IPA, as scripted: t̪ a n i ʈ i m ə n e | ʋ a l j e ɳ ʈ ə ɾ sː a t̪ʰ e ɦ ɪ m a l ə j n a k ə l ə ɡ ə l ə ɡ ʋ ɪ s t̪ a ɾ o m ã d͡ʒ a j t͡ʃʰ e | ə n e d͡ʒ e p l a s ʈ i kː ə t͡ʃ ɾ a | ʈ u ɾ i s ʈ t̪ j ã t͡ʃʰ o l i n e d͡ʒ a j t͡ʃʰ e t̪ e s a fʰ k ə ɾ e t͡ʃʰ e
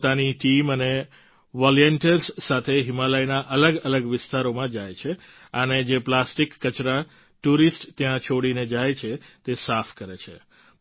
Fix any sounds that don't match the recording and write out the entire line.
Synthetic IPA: t̪ a n i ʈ i m ə n e | ʋ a l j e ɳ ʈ ə ɾ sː a t̪ʰ e ɦ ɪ m a l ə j n a ʔ ə l ə ɡ ə l ə ɡ ʋ ɪ s t̪ a ɾ o m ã d͡ʒ a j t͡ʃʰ e | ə n e d͡ʒ e p l a s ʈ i kː ə t͡ʃ ɾ a | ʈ u ɾ i s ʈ t̪ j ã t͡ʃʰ o ɽ i n e d͡ʒ a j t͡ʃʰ e t̪ e s a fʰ k ə ɾ e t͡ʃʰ e